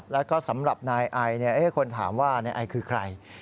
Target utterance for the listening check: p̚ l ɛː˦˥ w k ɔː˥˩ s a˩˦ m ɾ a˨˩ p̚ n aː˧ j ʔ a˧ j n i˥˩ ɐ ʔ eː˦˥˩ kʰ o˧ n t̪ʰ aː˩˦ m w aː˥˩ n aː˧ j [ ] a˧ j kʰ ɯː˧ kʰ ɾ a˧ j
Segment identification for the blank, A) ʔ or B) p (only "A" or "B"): A